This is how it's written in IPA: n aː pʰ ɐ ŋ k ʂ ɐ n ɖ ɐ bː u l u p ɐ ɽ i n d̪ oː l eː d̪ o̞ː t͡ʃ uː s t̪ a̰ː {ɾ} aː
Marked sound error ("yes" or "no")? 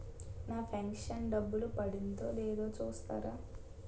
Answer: no